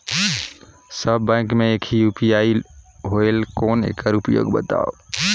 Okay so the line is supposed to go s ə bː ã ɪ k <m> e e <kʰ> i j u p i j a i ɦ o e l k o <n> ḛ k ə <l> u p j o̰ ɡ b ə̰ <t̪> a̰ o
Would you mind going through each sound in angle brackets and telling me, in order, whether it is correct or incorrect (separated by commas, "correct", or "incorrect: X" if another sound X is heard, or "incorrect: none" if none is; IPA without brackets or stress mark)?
correct, correct, correct, incorrect: ɾ, correct